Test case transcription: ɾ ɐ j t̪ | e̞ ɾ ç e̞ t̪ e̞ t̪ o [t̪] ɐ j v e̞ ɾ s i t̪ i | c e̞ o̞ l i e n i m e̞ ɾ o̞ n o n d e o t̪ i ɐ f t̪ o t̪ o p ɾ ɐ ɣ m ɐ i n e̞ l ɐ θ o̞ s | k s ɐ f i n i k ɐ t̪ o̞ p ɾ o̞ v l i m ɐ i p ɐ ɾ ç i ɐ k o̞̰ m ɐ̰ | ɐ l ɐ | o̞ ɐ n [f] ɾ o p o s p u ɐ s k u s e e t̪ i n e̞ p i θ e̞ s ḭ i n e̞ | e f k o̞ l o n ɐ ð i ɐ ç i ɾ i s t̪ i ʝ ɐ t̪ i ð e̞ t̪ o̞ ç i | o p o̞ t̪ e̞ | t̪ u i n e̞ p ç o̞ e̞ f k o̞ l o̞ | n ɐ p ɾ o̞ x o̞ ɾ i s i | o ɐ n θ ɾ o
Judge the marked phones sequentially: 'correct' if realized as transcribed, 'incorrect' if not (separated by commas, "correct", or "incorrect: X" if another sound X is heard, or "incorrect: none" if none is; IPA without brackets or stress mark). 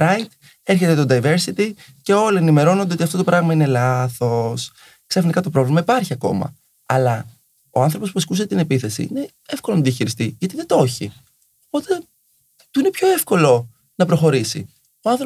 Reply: incorrect: d̪, incorrect: θ